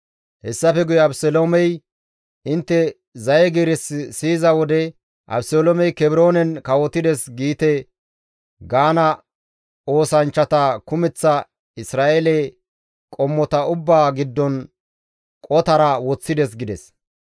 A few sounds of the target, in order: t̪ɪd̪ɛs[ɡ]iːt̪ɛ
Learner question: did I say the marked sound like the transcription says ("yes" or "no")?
yes